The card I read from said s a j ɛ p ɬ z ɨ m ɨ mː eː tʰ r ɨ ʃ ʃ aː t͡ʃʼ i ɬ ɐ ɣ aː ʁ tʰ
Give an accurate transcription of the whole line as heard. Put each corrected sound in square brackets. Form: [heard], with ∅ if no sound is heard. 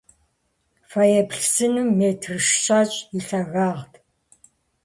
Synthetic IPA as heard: [f] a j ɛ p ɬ [s] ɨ [n] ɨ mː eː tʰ r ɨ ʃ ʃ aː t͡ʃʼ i ɬ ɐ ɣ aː ʁ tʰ

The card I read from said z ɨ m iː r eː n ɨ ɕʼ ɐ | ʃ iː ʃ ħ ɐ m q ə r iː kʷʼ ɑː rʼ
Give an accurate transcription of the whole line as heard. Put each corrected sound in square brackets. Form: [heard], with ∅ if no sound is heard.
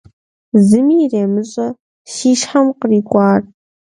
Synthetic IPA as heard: z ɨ m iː r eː [m] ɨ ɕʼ ɐ | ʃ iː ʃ ħ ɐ m q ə r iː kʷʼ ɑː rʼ

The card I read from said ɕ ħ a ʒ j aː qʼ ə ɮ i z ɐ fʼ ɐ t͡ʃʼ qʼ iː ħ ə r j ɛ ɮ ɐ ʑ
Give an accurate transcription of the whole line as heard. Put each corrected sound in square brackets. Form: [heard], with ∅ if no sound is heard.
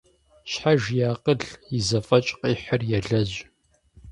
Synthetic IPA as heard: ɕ ħ a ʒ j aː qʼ ə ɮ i z ɐ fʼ ɐ t͡ʃʼ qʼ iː ħ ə r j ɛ ɮ ɐ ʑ

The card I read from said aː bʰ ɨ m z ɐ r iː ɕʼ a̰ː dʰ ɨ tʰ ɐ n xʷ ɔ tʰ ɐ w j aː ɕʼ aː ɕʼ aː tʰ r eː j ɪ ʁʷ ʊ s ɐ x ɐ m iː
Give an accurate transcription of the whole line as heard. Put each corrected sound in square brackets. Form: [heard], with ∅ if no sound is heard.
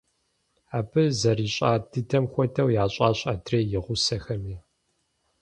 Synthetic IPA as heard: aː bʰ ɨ [∅] z ɐ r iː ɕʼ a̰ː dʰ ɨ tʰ ɐ [m] xʷ ɔ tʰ ɐ w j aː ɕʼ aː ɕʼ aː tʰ r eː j ɪ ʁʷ ʊ s ɐ x ɐ m iː

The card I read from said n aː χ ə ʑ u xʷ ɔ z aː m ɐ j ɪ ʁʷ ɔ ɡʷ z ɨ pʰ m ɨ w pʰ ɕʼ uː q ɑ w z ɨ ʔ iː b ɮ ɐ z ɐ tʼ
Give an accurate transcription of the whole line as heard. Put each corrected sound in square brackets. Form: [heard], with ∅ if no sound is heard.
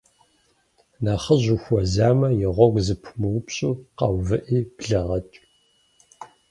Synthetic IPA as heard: n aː χ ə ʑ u xʷ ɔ z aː m ɐ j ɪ ʁʷ ɔ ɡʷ z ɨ pʰ m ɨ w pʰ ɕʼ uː q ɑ w [v] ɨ ʔ iː b ɮ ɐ [ʁ] ɐ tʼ

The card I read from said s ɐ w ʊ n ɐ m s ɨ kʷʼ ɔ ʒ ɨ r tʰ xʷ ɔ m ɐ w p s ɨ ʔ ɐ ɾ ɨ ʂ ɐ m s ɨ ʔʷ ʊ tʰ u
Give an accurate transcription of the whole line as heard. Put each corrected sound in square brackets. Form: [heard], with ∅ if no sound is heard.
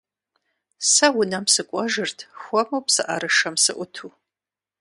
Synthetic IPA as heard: s ɐ w ʊ n ɐ m s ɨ kʷʼ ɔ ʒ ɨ r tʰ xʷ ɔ m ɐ w p s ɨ ʔ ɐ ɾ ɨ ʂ ɐ m s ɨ ʔʷ ʊ tʰ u

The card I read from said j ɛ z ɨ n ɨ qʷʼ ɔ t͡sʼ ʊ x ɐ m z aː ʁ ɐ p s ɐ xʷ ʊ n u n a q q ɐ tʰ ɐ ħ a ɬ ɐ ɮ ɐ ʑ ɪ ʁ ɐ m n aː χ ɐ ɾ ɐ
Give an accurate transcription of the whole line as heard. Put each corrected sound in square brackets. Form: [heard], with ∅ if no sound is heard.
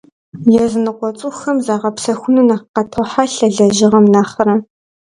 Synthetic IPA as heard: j ɛ z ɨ n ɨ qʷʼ ɔ t͡sʼ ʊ x ɐ m z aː ʁ ɐ p s ɐ xʷ ʊ n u n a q q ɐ tʰ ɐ ħ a ɬ ɐ ɮ ɐ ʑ ɪ ʁ ɐ m n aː χ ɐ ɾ ɐ

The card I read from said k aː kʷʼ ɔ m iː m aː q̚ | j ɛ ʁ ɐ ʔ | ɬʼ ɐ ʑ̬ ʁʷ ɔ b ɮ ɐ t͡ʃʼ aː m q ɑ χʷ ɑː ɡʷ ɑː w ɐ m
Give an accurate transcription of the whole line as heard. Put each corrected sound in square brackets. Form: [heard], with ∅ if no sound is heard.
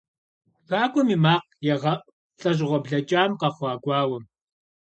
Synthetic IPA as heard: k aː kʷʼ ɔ m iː m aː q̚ | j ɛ ʁ ɐ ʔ | ɬʼ ɐ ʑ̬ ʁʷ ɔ b ɮ ɐ t͡ʃʼ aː m q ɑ χʷ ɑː ɡʷ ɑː w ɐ m

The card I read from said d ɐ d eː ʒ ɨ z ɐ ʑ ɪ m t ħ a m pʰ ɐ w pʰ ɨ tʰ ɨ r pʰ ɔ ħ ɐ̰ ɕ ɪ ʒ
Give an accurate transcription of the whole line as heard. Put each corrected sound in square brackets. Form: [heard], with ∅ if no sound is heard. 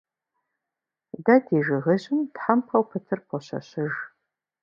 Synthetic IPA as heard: d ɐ d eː ʒ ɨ [ʁ] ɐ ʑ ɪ m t ħ a m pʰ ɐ w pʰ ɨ tʰ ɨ r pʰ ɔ [ɕ] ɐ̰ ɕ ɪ ʒ

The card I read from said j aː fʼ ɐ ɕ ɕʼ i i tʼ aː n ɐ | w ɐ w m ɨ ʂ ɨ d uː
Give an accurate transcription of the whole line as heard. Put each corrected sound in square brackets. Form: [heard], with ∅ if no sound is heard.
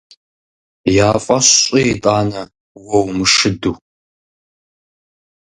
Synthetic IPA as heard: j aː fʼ ɐ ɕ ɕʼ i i tʼ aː n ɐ | w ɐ w m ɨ ʂ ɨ d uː

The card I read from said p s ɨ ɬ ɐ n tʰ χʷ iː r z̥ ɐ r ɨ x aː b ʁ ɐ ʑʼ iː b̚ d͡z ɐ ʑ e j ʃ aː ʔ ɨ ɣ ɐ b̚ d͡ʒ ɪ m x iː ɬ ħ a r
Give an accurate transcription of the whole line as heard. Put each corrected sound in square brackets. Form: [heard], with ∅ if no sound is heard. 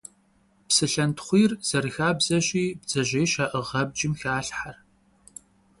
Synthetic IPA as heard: p s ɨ ɬ ɐ n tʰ χʷ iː r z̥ ɐ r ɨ x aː b [z] ɐ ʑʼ iː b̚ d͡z ɐ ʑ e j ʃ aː ʔ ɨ [ʁ] ɐ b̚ d͡ʒ ɪ m x [aː] ɬ ħ a r

